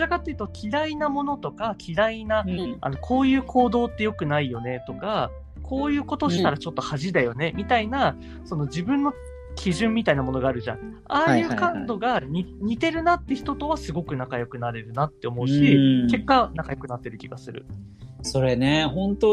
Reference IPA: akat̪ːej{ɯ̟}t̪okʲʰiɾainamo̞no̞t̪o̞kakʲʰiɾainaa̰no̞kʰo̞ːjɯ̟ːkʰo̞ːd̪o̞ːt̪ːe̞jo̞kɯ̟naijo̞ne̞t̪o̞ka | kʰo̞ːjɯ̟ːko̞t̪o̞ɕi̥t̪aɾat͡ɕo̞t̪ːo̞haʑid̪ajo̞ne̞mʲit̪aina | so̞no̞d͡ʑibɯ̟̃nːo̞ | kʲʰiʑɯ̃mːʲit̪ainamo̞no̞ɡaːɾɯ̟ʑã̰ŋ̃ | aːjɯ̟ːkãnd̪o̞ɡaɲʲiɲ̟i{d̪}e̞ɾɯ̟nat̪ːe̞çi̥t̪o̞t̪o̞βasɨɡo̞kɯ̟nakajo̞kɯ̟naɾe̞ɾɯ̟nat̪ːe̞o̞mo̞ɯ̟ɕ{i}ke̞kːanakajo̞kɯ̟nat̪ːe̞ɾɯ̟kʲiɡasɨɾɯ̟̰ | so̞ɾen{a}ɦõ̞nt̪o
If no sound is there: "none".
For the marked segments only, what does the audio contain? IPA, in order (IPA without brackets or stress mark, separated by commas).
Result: ɯ̟, t̪, i, e